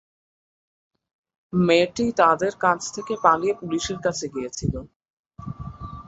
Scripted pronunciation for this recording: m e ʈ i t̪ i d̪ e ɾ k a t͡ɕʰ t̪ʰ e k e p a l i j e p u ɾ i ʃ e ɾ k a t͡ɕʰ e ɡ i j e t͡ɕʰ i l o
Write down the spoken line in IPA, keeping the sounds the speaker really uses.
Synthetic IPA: m e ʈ i t̪ a d̪ e ɾ k a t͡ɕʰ t̪ʰ e k e p a l i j e p u l i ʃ e ɾ k a t͡ɕʰ e ɡ i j e t͡ɕʰ i l o